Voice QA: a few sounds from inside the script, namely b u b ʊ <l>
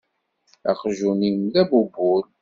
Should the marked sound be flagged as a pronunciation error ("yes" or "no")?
no